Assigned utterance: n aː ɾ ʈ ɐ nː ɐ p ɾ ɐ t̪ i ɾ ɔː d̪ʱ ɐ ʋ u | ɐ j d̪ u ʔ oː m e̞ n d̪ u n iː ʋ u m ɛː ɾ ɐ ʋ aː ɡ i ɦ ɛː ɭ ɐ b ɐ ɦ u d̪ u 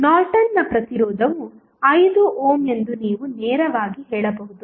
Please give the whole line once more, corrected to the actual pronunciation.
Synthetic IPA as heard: n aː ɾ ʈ ɐ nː ɐ p ɾ ɐ t̪ i ɾ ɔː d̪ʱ ɐ ʋ u | ɐ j d̪ u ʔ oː m e̞ n d̪ u n iː ʋ u n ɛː ɾ ɐ ʋ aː ɡ i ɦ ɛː ɭ ɐ b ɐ ɦ u d̪ u